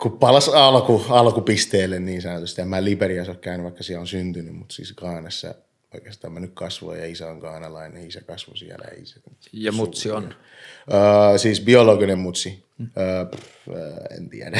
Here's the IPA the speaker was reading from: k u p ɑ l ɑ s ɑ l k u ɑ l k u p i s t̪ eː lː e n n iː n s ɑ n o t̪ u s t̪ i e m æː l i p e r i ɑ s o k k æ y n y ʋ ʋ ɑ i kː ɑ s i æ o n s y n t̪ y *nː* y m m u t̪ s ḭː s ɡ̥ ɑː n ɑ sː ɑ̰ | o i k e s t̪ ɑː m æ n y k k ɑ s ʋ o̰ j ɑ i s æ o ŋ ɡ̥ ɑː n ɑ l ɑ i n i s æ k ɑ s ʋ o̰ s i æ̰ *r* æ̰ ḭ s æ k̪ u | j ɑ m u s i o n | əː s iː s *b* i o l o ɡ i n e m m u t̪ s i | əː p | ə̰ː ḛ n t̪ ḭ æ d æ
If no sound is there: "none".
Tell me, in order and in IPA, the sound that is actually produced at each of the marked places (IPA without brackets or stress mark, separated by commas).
n, l, b